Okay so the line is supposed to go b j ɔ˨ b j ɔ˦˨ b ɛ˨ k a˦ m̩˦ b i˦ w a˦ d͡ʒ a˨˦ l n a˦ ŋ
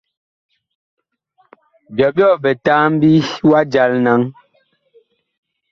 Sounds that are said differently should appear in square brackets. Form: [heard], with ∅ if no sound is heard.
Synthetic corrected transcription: b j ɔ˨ b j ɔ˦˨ b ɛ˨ [t] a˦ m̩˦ b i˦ w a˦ d͡ʒ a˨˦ l n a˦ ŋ